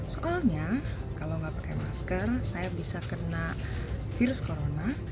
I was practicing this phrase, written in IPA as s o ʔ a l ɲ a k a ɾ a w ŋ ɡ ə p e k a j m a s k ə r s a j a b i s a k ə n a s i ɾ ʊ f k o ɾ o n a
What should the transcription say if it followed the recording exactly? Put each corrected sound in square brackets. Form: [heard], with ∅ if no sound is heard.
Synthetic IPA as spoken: s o ʔ a l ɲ a k a [l] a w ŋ ɡ [a] p [a] k a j m a s k ə r s a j a b i s a k ə n a [f] i ɾ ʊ [s] k o ɾ o n a